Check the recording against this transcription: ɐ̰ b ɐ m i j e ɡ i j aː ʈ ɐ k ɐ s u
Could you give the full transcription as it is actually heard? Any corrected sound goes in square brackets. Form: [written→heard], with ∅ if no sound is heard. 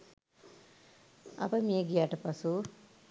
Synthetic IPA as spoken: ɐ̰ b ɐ m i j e ɡ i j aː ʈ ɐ [k→p] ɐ s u